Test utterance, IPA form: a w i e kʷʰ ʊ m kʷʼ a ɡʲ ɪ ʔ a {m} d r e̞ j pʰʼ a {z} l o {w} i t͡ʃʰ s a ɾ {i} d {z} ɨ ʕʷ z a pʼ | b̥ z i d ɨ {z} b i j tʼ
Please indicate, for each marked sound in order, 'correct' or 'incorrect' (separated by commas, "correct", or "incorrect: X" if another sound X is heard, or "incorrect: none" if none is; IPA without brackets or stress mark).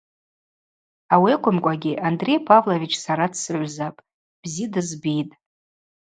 incorrect: n, incorrect: v, incorrect: v, incorrect: a, incorrect: s, correct